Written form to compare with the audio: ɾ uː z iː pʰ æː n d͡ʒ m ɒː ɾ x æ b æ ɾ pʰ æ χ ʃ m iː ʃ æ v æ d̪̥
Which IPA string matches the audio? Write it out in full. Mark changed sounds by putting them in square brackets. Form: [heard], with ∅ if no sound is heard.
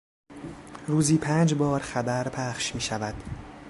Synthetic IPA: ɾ uː z iː pʰ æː n d͡ʒ [b] ɒː ɾ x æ b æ ɾ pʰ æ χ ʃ m iː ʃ æ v æ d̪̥